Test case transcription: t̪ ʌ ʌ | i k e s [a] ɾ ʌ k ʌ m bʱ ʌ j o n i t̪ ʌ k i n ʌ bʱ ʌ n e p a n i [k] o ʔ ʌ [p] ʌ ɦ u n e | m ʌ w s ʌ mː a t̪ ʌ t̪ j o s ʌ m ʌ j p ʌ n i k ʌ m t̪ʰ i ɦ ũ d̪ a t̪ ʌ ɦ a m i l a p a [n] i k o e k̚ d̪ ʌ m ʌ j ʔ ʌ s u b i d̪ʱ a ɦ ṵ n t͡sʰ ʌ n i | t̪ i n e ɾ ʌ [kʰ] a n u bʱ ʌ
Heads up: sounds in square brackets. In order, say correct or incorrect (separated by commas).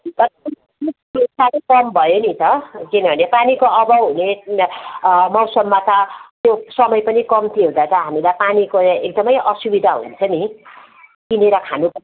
correct, correct, incorrect, correct, correct